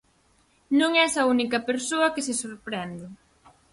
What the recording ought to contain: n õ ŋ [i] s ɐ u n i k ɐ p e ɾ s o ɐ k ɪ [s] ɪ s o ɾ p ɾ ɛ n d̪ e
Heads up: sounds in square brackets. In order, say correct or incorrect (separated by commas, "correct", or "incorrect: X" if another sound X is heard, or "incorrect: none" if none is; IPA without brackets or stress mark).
incorrect: ɛ, correct